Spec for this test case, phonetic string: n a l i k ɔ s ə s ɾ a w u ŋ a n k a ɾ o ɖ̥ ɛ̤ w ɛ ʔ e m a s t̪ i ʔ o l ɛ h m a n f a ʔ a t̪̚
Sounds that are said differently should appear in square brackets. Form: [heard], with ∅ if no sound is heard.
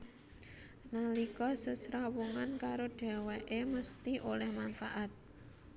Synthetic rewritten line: n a l i k ɔ s ə s ɾ a w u ŋ a n k a ɾ o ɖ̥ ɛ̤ w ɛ ʔ e m [ə] s t̪ i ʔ o l ɛ h m a n f a ʔ a t̪̚